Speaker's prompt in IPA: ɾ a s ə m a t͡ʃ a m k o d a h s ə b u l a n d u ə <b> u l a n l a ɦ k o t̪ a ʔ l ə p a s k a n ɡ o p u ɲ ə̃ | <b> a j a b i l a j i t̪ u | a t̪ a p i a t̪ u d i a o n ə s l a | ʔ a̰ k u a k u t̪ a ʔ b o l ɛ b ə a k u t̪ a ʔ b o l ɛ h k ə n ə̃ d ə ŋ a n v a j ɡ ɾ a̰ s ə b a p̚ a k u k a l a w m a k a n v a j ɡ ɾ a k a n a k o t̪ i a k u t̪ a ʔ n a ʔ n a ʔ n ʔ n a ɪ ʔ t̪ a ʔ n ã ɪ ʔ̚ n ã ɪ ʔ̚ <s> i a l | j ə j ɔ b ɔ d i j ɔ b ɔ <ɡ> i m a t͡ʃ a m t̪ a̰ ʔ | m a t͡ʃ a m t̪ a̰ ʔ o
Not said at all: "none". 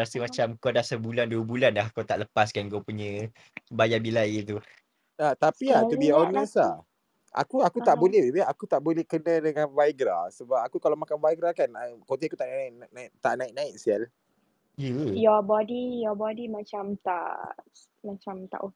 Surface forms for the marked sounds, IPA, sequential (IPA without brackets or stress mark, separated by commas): b, b, s, d